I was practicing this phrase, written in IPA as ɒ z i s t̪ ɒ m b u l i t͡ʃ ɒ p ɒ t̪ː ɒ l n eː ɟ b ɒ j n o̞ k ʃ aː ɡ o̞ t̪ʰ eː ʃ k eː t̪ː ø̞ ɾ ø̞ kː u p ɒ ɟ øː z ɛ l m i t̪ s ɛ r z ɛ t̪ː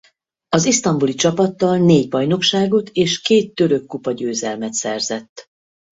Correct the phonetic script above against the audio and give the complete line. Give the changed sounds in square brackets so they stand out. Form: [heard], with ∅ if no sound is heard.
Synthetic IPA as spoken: ɒ z i s t̪ ɒ m b u l i t͡ʃ ɒ p ɒ t̪ː ɒ l n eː ɟ b ɒ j n o̞ k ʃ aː ɡ o̞ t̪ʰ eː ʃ k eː t̪ː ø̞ ɾ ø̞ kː u p ɒ ɟ øː z ɛ l m [ɛ] t̪ s ɛ r z ɛ t̪ː